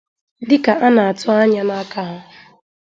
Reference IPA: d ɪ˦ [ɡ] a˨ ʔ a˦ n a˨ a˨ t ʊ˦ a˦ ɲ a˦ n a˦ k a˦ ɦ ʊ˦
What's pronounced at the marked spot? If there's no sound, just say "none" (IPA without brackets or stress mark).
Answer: k